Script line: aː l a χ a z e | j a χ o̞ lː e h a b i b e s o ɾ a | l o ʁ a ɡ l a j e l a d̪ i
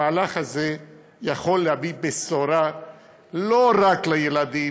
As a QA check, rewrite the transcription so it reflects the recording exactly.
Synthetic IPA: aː l a χ a z e | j a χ o̞ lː e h a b i b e s o ɾ a | l o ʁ a k l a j e l a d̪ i